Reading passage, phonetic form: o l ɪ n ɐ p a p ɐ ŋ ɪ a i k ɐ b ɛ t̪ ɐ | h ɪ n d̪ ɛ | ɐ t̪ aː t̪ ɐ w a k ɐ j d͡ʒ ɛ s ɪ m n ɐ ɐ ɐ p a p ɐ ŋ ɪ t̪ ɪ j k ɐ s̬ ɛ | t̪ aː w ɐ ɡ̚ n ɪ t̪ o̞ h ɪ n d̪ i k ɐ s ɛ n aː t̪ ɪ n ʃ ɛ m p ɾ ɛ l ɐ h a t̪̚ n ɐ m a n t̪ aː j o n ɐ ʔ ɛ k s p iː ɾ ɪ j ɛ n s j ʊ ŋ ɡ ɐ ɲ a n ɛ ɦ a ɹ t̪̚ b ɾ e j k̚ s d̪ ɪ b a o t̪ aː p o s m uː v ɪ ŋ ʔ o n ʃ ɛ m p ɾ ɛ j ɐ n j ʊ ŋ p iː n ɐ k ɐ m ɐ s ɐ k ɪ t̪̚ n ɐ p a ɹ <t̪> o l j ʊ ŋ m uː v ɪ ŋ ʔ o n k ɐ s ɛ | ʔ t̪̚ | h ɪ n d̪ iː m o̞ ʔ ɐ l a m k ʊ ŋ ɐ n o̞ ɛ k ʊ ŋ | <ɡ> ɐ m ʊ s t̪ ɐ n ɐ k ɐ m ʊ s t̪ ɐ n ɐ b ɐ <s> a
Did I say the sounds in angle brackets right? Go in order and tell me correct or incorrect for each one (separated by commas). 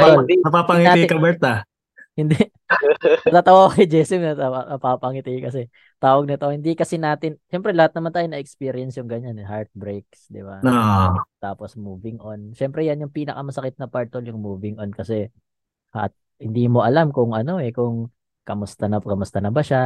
correct, incorrect, incorrect